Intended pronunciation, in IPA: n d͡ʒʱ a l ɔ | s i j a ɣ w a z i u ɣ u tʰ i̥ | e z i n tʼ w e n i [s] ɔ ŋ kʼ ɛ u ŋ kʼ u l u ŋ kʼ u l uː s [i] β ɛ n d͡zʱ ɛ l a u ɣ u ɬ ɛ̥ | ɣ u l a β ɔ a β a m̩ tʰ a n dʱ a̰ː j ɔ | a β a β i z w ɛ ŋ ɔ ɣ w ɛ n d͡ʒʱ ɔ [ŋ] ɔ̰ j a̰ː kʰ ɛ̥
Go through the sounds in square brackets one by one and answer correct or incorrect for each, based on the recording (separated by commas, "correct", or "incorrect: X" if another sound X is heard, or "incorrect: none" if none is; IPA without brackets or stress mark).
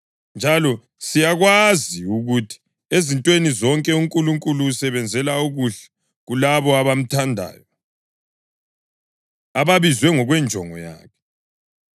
incorrect: z, incorrect: ɛ, correct